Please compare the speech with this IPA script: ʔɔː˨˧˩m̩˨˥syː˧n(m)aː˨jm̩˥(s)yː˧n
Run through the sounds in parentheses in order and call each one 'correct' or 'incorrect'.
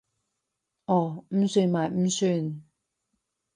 correct, correct

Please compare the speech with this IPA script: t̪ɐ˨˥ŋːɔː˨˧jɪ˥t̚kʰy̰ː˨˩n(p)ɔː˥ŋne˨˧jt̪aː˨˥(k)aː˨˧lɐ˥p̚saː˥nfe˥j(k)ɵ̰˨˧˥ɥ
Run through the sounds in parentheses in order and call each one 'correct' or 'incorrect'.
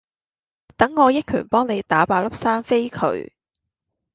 correct, incorrect, incorrect

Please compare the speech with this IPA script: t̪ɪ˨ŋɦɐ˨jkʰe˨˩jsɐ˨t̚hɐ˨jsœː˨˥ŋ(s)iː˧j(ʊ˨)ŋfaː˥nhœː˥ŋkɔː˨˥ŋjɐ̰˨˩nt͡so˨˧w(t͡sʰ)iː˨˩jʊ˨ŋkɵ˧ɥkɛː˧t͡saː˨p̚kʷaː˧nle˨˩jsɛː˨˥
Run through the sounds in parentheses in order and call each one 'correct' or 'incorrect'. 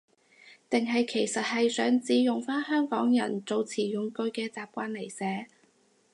incorrect, correct, correct

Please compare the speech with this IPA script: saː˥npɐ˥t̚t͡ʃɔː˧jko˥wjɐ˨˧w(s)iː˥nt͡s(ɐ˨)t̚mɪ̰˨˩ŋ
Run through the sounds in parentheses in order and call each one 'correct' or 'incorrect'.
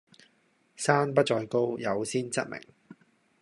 correct, incorrect

